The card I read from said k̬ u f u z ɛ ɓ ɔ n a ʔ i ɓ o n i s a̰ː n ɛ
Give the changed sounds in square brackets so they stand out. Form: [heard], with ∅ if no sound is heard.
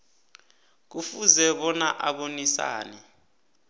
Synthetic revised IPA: k̬ u f u z ɛ ɓ ɔ n a ʔ [a] ɓ o n i s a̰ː n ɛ